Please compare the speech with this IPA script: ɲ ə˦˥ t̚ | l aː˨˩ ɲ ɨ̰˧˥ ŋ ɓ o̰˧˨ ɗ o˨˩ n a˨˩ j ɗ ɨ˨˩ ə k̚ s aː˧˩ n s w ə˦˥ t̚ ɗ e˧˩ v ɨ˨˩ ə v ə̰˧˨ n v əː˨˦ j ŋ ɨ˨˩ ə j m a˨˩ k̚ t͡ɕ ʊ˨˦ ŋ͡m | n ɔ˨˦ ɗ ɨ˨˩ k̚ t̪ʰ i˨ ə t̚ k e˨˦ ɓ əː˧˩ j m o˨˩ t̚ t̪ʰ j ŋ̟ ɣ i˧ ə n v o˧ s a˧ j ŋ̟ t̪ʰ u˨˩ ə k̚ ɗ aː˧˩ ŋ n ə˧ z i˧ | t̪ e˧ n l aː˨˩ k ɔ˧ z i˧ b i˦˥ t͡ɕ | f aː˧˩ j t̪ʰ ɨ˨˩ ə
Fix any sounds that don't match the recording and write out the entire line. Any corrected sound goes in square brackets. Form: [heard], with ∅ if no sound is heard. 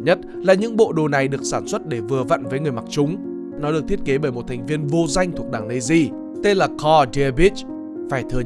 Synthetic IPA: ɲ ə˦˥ t̚ | l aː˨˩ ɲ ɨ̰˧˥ ŋ ɓ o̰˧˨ ɗ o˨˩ n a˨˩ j ɗ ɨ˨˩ ə k̚ s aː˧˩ n s w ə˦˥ t̚ ɗ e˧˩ v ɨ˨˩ ə v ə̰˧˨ n v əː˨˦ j ŋ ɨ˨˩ ə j m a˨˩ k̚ t͡ɕ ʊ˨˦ ŋ͡m | n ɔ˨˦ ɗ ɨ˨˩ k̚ t̪ʰ [i˦˥] ə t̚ k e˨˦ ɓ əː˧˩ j m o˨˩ t̚ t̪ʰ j ŋ̟ [v] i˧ ə n v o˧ [z] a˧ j ŋ̟ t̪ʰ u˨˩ ə k̚ ɗ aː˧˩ ŋ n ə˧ z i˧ | t̪ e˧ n l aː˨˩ k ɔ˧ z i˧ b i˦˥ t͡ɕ | f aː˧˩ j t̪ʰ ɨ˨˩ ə